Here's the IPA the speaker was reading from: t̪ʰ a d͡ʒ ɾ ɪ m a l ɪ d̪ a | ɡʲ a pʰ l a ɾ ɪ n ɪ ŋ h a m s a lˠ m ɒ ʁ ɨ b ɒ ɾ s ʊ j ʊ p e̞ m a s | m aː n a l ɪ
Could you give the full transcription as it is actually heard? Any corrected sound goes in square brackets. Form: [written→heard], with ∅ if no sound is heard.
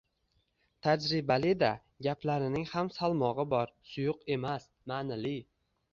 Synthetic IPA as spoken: t̪ʰ a d͡ʒ ɾ ɪ [m→b] a l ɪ d̪ a | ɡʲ a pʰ l a ɾ ɪ n ɪ ŋ h a m s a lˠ m ɒ ʁ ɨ b ɒ ɾ s ʊ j ʊ [p→q] e̞ m a s | m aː n a l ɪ